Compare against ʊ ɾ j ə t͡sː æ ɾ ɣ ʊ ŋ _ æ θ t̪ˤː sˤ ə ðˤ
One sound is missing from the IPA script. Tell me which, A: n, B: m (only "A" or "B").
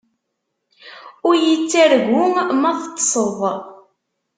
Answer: B